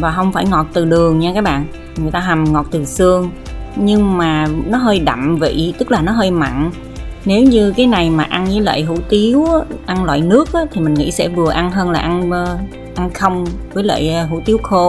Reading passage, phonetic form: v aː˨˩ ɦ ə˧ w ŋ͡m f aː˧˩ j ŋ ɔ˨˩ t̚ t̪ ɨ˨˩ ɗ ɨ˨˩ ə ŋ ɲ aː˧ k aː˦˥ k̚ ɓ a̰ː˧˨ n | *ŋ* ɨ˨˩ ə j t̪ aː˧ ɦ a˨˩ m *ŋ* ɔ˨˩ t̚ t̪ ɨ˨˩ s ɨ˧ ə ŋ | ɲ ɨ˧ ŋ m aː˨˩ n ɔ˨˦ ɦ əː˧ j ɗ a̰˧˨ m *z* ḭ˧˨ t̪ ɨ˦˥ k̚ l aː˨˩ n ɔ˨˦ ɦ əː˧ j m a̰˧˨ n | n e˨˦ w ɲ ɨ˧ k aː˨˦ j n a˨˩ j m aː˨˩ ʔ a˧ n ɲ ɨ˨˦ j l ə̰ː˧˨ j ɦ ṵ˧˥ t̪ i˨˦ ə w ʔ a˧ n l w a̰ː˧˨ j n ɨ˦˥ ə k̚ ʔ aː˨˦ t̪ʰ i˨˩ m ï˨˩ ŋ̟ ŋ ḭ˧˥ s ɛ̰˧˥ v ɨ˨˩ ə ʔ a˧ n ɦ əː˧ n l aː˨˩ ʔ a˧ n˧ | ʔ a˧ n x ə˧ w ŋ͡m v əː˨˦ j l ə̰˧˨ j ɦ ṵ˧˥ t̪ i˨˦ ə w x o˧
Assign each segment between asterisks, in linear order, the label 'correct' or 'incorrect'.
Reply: correct, correct, incorrect: v

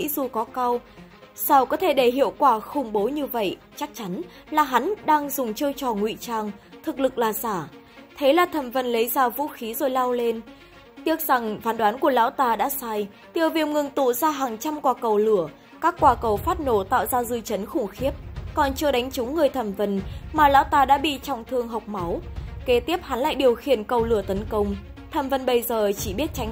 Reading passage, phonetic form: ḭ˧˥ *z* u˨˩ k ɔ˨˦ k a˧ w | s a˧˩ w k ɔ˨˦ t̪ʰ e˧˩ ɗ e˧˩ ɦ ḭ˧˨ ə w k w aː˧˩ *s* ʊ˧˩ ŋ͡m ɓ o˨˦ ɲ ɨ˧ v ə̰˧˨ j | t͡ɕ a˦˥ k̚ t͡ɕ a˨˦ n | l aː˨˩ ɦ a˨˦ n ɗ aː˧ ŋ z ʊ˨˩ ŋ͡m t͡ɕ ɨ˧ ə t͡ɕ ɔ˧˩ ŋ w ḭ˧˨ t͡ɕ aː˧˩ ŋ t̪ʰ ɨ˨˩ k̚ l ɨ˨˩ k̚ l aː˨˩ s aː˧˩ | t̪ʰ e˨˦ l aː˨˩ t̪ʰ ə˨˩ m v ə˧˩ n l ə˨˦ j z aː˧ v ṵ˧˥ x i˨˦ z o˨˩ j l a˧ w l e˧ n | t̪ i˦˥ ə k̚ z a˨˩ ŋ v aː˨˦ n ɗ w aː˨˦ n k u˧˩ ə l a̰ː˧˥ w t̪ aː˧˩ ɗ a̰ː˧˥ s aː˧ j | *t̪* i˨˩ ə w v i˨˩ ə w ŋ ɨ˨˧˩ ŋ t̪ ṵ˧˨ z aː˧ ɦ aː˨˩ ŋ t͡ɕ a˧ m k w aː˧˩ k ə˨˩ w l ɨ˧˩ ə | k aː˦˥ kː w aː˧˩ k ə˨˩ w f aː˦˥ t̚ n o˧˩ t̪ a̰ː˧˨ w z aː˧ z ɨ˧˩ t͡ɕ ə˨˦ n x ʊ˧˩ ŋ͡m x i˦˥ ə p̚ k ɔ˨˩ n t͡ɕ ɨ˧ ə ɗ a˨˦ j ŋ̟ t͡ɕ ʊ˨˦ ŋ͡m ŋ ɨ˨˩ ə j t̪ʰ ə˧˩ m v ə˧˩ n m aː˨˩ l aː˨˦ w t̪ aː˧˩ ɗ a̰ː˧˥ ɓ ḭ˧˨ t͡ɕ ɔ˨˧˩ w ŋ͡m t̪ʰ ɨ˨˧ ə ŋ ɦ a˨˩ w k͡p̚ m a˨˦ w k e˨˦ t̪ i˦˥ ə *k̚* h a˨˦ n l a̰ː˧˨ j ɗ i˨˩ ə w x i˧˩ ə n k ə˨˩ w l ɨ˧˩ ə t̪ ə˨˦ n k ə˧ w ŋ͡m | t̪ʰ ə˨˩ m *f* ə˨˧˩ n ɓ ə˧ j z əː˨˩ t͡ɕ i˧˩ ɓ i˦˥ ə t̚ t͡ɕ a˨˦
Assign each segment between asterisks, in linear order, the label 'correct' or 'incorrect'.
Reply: correct, incorrect: x, correct, incorrect: p̚, incorrect: v

